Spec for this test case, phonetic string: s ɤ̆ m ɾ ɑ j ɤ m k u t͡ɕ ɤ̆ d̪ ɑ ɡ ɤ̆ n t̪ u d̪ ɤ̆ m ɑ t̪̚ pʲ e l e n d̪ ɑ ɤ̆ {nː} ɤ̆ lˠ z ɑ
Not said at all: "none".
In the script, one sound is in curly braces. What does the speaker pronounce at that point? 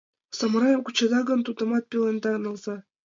n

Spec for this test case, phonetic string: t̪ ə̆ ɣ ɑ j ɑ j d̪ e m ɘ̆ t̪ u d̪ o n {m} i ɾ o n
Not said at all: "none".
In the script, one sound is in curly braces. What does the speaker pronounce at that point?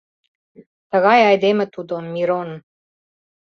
m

